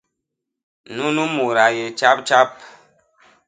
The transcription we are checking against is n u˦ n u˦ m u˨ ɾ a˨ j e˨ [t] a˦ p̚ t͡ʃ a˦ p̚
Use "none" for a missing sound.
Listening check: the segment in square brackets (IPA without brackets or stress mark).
t͡ʃ